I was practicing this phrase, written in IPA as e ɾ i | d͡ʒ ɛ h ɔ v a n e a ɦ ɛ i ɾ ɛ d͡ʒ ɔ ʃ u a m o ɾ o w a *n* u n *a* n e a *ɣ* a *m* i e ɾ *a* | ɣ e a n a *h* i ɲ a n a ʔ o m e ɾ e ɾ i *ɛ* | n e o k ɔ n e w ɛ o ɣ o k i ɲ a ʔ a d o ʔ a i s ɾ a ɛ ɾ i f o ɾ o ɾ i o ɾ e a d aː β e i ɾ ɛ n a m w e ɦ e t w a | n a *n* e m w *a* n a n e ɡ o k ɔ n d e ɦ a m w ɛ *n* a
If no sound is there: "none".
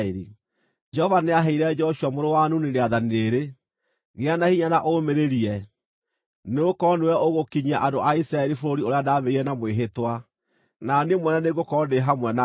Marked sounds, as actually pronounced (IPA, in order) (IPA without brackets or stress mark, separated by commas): n, e, ð, n, e, h, ɛ, n, ɛ, n